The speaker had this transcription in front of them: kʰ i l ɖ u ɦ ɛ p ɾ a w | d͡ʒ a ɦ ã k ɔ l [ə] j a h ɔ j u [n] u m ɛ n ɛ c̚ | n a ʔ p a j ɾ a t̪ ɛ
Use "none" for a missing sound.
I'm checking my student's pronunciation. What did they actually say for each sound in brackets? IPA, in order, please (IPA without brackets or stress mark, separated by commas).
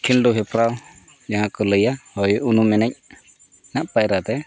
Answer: ə, n